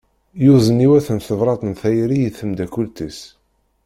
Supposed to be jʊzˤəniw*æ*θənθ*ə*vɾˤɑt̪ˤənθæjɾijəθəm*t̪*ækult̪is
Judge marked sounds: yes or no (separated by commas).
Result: yes, yes, no